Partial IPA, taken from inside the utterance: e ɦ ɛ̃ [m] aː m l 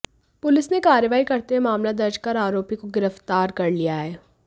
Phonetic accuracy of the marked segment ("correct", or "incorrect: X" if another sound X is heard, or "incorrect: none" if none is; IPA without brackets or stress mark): correct